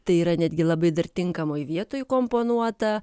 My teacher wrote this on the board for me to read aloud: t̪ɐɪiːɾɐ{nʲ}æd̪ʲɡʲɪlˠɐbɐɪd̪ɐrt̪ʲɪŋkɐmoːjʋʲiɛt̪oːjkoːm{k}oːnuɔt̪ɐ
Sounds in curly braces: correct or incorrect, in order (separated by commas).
correct, incorrect